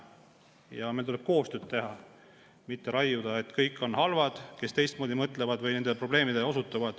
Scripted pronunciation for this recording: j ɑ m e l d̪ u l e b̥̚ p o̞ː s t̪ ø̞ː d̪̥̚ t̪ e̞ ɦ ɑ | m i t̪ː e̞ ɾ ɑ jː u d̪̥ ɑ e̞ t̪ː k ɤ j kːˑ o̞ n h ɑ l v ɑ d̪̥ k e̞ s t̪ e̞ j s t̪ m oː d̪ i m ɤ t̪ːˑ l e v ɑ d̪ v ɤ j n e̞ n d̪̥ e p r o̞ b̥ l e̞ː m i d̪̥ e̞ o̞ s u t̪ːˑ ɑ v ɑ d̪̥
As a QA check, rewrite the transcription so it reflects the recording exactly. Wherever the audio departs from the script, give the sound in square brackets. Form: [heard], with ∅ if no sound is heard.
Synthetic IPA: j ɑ m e l [t̪] u l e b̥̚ [k] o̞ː s t̪ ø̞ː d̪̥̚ t̪ e̞ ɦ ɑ | m i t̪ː e̞ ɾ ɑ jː u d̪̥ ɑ e̞ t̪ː k ɤ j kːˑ o̞ n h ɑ l v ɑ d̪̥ k e̞ s t̪ e̞ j s t̪ m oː d̪ i m ɤ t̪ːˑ l e v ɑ d̪ v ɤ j n e̞ n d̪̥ e p r o̞ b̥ l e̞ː m i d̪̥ e̞ o̞ s u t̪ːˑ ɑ v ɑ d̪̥